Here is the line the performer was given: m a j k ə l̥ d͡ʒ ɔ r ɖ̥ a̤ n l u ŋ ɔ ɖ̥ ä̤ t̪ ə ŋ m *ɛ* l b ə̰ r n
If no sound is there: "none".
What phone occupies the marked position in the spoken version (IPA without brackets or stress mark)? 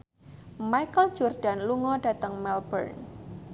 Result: ɛ